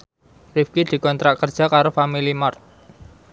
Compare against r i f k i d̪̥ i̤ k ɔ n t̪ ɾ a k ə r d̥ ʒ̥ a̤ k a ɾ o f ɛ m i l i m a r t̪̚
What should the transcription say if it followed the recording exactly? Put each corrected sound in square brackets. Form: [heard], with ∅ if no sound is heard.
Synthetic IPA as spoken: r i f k i d̪̥ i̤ k ɔ n t̪ ɾ a k ə r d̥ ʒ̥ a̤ k a ɾ o f [a] m i l i m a r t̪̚

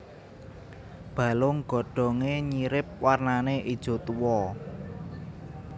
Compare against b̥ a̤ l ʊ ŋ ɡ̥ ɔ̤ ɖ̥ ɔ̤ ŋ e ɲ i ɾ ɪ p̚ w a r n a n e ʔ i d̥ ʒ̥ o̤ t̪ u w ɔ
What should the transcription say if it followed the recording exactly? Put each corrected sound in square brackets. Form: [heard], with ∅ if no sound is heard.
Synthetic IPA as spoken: b̥ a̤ l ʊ ŋ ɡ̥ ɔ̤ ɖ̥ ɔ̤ ŋ e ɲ i ɾ ɪ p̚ w a r n a n e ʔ i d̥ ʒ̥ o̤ t̪ u w ɔ

